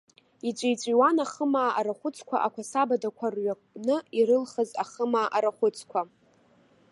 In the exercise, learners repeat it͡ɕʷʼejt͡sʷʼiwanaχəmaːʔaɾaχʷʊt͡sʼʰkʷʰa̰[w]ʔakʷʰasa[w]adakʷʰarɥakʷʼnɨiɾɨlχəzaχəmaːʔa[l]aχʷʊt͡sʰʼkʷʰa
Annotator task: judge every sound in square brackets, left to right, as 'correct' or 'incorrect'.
incorrect: none, incorrect: b, incorrect: ɾ

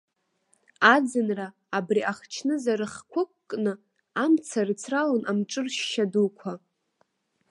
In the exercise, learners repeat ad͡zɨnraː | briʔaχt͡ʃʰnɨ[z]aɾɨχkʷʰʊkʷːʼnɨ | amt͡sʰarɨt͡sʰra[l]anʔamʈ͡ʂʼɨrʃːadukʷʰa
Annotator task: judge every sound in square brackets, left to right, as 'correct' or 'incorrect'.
correct, correct

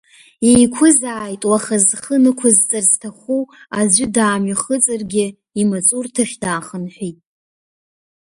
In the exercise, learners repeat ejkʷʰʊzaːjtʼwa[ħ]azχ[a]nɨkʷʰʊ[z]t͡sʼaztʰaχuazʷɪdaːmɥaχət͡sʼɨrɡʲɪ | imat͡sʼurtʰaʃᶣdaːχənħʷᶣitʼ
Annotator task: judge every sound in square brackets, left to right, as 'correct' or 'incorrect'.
incorrect: χ, incorrect: ə, correct

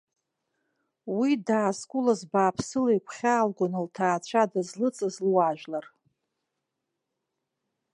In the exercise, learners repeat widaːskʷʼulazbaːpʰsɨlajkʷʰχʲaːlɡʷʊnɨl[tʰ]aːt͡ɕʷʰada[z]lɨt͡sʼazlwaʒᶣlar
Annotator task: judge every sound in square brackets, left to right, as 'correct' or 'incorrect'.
correct, correct

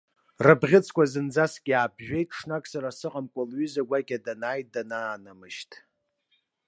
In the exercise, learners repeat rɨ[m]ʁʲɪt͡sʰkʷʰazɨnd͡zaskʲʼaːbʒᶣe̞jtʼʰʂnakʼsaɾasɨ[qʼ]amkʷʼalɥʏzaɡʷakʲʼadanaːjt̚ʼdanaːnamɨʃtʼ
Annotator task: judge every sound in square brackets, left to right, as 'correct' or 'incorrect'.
incorrect: b, correct

